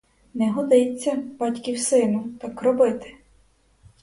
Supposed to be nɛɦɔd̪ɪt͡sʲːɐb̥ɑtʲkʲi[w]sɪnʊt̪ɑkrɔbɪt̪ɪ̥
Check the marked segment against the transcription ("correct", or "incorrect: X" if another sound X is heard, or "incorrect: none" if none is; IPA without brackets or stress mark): correct